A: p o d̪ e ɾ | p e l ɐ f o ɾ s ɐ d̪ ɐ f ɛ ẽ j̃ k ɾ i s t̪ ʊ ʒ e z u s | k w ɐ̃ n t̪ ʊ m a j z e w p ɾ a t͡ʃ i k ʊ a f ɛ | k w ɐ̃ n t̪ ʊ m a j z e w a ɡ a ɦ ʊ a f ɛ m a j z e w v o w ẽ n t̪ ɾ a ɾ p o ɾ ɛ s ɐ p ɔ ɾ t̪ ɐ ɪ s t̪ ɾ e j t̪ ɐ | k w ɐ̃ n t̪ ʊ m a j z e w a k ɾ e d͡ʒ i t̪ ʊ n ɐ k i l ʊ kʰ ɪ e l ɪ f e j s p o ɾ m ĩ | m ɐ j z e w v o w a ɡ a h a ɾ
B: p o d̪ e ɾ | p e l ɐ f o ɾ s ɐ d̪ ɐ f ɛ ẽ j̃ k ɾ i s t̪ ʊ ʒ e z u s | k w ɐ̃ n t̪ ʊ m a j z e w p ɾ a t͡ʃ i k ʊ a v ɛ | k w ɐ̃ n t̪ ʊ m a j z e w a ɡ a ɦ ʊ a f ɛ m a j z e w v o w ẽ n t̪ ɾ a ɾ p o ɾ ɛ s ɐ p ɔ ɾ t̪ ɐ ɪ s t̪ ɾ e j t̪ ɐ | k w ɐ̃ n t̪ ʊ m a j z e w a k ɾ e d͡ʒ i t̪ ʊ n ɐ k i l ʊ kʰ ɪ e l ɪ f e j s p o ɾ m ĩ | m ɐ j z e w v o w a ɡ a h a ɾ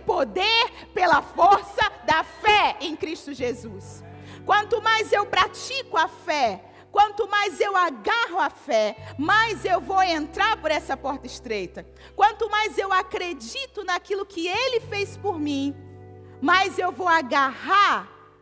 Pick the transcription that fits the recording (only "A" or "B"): A